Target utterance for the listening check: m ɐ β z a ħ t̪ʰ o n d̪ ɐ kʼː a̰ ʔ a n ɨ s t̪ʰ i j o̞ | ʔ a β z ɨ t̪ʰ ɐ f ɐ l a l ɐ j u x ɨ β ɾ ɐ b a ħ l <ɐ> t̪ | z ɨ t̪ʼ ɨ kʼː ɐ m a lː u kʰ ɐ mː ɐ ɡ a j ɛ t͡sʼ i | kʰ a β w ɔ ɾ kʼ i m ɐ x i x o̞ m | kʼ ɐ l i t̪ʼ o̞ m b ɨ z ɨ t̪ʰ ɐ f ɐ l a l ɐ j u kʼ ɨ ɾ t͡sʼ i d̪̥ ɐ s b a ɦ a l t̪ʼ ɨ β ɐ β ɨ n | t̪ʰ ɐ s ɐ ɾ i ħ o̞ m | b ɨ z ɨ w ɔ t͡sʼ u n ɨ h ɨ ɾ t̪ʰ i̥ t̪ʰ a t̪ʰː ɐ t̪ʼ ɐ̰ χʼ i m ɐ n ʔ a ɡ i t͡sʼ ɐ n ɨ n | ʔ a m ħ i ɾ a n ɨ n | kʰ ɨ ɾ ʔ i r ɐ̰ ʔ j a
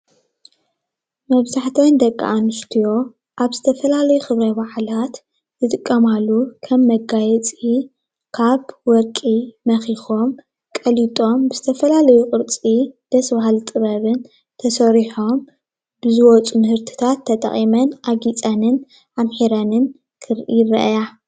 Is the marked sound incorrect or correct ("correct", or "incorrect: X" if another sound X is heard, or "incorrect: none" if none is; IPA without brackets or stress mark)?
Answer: incorrect: a